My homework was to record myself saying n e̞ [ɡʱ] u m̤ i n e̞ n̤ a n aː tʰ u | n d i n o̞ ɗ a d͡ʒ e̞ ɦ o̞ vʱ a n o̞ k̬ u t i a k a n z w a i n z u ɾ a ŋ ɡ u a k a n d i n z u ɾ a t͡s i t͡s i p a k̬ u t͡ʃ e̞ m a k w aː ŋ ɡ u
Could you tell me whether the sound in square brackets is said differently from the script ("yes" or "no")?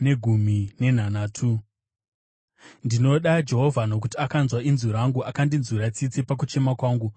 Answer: no